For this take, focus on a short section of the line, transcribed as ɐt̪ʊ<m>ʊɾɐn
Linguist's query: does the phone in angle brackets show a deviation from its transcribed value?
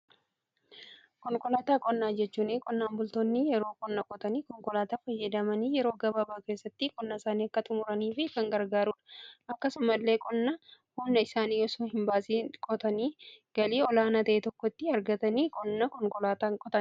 no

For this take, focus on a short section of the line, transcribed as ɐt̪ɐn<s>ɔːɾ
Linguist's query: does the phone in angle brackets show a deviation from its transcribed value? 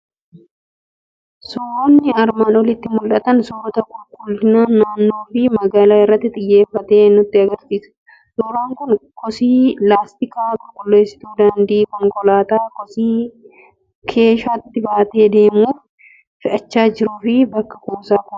no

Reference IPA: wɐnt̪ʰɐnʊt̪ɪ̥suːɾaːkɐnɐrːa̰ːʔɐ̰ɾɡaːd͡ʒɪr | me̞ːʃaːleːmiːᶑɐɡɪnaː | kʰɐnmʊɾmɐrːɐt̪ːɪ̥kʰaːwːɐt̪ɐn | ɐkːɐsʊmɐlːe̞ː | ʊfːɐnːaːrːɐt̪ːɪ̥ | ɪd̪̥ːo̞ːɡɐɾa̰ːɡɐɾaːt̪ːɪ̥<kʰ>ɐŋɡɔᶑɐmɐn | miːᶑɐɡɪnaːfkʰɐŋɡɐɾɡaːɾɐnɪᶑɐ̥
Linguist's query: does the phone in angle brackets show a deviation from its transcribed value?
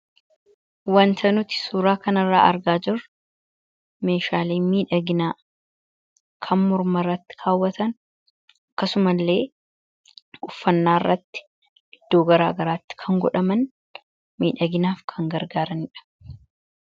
no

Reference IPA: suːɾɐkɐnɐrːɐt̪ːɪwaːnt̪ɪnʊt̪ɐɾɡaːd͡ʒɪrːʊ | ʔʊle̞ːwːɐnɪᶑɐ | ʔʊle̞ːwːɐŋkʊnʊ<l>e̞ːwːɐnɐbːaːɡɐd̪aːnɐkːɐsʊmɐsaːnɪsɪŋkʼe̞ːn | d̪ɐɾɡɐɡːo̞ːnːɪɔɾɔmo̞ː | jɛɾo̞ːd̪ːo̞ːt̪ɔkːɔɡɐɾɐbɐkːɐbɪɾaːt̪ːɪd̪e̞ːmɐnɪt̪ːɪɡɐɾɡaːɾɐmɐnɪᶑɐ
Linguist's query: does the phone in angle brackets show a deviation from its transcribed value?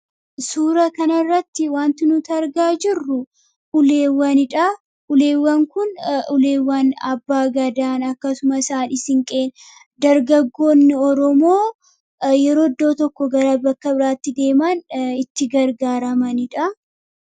no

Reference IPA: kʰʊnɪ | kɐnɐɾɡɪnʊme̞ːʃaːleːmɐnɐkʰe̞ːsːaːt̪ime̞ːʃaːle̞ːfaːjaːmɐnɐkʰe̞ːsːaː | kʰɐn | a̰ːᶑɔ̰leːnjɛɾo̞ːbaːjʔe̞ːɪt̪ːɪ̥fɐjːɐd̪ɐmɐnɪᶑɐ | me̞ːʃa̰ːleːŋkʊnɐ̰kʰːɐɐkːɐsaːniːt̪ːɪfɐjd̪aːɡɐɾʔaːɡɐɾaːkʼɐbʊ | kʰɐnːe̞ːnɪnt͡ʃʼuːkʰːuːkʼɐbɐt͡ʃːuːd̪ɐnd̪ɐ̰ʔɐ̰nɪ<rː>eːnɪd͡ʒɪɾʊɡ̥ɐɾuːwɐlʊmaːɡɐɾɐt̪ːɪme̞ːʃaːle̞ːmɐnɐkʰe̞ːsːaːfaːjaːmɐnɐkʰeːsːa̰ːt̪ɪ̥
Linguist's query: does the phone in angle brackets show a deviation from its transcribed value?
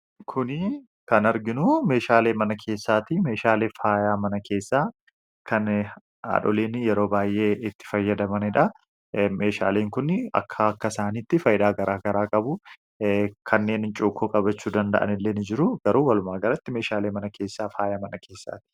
yes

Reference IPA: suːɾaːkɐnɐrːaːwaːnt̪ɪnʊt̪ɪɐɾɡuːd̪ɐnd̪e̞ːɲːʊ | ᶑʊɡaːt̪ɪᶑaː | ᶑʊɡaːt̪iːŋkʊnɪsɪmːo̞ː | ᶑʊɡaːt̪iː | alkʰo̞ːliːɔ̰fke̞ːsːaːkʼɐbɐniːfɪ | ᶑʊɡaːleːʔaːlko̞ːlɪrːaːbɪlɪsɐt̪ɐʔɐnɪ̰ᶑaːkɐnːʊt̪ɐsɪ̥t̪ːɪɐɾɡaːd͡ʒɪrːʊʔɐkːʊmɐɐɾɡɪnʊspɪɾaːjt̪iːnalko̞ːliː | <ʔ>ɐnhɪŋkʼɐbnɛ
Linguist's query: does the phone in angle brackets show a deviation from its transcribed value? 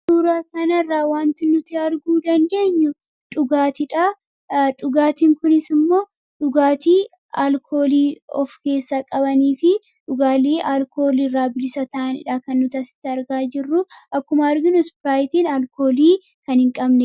yes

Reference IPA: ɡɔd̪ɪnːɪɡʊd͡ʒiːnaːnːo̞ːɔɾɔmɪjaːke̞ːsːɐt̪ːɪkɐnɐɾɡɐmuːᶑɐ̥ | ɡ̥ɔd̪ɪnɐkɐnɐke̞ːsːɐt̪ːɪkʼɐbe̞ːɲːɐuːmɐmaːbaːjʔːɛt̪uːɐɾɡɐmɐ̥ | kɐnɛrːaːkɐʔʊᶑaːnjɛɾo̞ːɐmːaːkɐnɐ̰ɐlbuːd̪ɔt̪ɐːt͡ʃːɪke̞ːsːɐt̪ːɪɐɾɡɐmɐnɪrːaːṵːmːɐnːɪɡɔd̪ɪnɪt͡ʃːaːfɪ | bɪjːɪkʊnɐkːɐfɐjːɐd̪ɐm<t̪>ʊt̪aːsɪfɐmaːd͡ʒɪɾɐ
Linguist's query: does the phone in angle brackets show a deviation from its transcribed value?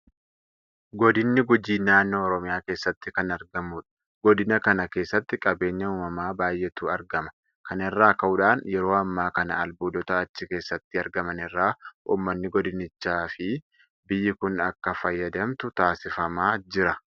no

